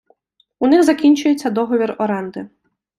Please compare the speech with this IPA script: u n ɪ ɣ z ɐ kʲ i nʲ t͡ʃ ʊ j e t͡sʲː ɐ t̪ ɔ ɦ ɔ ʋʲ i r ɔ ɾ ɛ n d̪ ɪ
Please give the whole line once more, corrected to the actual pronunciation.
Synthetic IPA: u n ɪ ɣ z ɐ kʲ i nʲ t͡ʃ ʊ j e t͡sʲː ɐ d̪ ɔ ɦ ɔ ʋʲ i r ɔ ɾ ɛ n d̪ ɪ